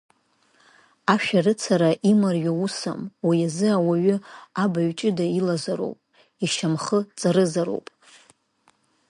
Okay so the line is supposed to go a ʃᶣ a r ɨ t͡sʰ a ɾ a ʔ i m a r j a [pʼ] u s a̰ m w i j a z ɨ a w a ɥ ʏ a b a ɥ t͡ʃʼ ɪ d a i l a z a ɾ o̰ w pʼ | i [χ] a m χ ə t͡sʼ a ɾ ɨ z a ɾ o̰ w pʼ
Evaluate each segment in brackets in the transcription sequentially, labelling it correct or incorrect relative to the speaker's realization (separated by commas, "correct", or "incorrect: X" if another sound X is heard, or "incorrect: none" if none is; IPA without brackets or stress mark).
incorrect: none, incorrect: ʃ